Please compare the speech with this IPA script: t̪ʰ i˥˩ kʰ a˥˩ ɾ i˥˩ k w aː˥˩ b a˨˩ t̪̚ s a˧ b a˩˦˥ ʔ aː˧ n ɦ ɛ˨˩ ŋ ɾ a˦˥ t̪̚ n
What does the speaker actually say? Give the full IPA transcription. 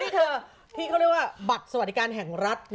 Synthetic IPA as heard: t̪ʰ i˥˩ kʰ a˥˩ ɾ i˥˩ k w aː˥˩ b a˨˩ t̪̚ s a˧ w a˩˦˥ k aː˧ n ɦ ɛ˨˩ ŋ ɾ a˦˥ t̪̚ n

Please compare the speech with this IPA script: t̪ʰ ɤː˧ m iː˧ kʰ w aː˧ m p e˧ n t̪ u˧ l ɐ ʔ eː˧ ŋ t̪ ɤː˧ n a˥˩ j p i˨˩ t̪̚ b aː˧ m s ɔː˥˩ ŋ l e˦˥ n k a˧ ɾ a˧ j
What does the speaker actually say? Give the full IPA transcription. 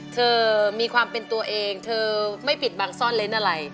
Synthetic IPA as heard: t̪ʰ ɤː˧ m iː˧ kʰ w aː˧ m p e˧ n t̪ u˧ ɐ ʔ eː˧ ŋ t̪ʰ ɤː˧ m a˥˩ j p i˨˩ t̪̚ b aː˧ ŋ s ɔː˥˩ n l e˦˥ n ʔ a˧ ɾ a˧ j

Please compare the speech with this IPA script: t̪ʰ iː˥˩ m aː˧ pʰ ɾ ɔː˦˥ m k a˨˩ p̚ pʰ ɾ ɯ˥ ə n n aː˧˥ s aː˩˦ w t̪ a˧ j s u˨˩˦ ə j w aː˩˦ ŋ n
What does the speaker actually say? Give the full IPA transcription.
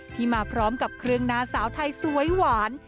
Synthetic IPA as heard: t̪ʰ iː˥˩ m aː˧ pʰ ɾ ɔː˦˥ m k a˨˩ p̚ kʰ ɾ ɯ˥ ə ŋ n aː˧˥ s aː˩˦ w t̪ʰ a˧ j s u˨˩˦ ə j w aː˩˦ n

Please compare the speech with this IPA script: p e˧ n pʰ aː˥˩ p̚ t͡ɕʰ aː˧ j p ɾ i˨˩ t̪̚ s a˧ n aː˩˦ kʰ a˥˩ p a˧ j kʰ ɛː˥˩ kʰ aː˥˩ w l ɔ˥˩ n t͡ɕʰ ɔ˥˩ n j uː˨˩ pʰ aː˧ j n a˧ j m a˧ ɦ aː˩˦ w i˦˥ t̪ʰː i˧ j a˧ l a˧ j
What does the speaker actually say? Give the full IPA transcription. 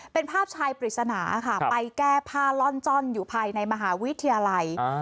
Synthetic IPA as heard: p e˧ n pʰ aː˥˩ p̚ t͡ɕʰ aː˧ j p ɾ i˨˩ t̪̚ s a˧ n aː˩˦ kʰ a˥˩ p a˧ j k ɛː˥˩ pʰ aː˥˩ l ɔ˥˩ n t͡ɕ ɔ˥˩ n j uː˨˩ pʰ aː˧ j n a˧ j m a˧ ɦ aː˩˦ w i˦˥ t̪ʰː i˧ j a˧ l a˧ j

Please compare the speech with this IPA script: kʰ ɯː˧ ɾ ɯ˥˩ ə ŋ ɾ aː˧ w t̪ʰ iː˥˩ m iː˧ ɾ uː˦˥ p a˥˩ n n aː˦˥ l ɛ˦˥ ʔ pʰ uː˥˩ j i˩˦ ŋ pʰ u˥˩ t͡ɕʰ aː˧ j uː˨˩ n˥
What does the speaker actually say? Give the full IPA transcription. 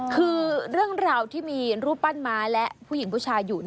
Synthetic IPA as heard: kʰ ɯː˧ ɾ ɯ˥˩ ə ŋ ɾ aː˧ w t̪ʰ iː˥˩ m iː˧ ɾ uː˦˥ p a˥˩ n m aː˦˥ l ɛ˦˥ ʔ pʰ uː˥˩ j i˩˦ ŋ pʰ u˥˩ t͡ɕʰ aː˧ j uː˨˩ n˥

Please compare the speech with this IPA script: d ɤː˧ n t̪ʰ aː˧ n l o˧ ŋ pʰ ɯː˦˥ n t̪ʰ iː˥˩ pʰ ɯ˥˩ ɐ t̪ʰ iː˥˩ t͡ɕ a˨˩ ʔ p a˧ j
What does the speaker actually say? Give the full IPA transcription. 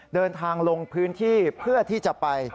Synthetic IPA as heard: d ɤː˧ n t̪ʰ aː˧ ŋ l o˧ ŋ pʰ ɯː˦˥ n t̪ʰ iː˥˩ pʰ ɯ˥˩ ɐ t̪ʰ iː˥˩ t͡ɕ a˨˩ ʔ p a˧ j

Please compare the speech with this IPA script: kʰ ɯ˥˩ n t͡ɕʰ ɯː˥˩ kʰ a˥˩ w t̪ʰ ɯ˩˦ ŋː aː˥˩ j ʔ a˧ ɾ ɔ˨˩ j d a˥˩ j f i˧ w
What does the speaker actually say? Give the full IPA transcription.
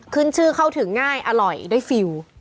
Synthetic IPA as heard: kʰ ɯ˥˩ n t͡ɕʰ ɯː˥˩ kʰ a˥˩ w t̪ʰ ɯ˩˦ ŋː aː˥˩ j ʔ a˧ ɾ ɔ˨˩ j d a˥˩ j f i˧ w

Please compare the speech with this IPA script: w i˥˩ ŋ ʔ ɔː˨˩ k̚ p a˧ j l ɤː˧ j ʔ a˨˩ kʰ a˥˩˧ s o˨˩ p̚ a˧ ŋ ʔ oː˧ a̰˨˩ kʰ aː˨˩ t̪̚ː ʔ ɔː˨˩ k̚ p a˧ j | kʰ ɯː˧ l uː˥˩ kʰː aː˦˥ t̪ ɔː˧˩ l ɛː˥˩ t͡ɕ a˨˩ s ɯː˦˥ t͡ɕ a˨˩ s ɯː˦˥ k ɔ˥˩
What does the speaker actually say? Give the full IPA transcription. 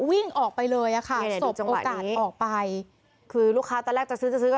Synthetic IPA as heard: w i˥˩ ŋ ʔ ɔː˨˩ k̚ p a˧ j l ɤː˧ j ʔ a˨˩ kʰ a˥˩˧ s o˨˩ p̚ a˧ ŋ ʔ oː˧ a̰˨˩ k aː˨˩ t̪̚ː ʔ ɔː˨˩ k̚ p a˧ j | kʰ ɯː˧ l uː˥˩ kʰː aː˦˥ t̪ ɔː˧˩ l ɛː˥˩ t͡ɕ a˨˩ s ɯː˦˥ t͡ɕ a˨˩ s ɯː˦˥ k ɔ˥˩

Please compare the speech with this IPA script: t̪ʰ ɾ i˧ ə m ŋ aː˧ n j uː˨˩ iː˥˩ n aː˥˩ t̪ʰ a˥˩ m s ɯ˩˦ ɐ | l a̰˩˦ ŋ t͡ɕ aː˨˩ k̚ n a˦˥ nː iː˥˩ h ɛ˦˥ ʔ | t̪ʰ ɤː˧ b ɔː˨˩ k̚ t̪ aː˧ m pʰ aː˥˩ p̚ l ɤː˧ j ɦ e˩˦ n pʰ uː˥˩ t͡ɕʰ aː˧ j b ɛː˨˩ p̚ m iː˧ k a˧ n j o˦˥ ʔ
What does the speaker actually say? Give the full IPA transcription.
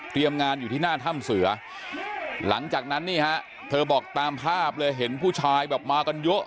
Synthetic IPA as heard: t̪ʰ ɾ i˧ ə m ŋ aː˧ n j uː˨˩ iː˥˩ n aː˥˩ t̪ʰ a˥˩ m s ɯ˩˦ ɐ | l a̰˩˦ ŋ t͡ɕ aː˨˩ k̚ n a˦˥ nː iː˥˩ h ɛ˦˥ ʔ | t̪ʰ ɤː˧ b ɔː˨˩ k̚ t̪ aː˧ m pʰ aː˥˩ p̚ l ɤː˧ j ɦ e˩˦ n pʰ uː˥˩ t͡ɕʰ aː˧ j b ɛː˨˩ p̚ m aː˧ k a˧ n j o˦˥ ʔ

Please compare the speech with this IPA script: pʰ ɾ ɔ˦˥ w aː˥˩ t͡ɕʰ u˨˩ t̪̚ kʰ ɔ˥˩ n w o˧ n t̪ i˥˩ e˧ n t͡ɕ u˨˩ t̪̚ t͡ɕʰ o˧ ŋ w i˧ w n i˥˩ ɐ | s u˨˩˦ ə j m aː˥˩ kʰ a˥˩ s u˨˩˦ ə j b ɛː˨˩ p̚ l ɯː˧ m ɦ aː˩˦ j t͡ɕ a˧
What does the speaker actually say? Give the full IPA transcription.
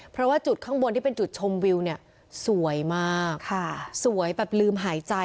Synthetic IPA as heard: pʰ ɾ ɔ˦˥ w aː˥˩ t͡ɕ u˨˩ t̪̚ kʰ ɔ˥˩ ŋ w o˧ n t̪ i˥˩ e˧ n t͡ɕ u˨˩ t̪̚ t͡ɕʰ o˧ m w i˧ w n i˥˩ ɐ | s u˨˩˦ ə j m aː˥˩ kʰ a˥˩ s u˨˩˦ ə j b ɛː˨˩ p̚ l ɯː˧ m ɦ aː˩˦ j t͡ɕ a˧

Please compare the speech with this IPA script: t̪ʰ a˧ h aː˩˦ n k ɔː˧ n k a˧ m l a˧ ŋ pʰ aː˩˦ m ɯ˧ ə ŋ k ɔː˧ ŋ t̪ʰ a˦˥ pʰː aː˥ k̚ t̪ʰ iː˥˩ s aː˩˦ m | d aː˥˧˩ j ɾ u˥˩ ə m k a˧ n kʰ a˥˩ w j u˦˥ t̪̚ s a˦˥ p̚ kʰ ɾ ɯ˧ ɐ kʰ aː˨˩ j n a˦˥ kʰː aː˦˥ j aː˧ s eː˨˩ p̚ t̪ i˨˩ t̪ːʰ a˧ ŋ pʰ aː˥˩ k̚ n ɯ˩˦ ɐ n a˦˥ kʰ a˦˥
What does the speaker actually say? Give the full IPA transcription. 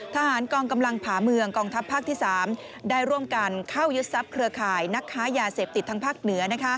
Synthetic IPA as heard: t̪ʰ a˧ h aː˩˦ n k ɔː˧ ŋ k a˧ m l a˧ ŋ pʰ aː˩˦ m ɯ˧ ə ŋ k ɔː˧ ŋ t̪ʰ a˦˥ pʰː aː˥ k̚ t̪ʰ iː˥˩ s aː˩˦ m | d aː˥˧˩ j ɾ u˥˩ ə m k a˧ n kʰ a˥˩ w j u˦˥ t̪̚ s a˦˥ p̚ kʰ ɾ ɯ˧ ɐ kʰ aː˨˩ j n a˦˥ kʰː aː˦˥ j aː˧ s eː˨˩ p̚ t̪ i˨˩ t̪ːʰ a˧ ŋ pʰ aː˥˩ k̚ n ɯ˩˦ ɐ n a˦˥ kʰ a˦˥

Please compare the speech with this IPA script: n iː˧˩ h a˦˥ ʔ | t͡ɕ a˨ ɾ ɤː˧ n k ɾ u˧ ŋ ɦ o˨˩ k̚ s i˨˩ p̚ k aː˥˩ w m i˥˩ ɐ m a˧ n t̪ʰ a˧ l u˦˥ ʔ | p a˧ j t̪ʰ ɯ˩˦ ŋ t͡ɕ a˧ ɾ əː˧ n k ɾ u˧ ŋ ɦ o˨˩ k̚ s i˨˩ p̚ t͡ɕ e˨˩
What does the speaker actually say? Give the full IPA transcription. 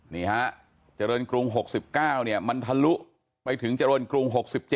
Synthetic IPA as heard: n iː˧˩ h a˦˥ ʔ | t͡ɕ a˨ ɾ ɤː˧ n k ɾ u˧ ŋ ɦ o˨˩ k̚ s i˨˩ p̚ k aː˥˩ w n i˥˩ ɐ m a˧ n t̪ʰ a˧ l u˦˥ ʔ | p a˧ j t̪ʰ ɯ˩˦ ŋ t͡ɕ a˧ ɾ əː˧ n k ɾ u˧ ŋ ɦ o˨˩ k̚ s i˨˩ p̚ t͡ɕ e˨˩

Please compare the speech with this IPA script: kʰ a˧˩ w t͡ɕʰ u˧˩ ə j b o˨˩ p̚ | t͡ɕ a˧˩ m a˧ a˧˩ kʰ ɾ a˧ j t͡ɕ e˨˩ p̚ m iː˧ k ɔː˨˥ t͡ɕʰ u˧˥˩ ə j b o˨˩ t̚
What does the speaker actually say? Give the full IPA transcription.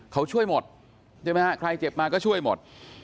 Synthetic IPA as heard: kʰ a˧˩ w t͡ɕʰ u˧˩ ə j m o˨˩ t̚ | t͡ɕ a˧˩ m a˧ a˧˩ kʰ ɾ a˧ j t͡ɕ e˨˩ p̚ m aː˧ k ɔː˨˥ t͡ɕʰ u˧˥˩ ə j m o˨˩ t̚

